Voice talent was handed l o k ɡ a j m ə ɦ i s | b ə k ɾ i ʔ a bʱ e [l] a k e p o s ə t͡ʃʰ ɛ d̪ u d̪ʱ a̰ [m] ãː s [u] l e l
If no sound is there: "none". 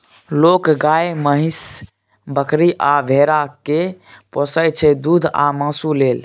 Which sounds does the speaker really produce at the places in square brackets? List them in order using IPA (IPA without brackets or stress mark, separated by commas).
ɾ, m, u